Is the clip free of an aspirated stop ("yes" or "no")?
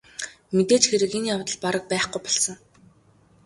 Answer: yes